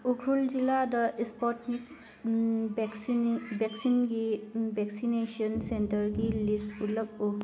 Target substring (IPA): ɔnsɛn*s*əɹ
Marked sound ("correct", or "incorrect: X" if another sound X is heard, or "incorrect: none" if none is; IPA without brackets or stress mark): incorrect: t